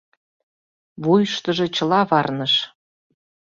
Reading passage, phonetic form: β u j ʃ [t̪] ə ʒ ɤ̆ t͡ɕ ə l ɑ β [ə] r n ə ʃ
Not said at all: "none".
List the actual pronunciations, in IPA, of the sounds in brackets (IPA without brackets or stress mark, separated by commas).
t̪, ɑ